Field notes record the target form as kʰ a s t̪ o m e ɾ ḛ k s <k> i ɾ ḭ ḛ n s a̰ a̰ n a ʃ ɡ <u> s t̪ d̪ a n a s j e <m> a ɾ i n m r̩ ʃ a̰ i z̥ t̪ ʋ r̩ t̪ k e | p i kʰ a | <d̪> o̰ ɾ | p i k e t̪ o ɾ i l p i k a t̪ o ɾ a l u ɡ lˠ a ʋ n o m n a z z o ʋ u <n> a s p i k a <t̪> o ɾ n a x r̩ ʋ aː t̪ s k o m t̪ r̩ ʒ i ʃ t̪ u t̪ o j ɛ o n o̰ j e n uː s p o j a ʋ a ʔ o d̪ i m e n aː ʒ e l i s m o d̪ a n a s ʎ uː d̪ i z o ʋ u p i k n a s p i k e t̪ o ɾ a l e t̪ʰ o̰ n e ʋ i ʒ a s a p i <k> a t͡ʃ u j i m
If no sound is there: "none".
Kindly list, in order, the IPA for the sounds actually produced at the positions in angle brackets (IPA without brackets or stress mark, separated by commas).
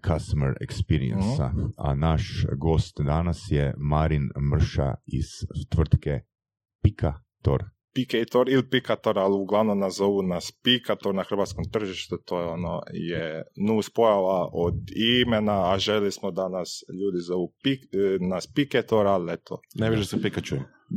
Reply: p, o, m, t̪, n, t̪, k